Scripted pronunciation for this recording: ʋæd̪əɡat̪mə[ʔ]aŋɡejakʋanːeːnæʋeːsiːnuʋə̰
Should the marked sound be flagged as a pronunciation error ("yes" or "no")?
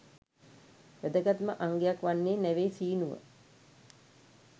no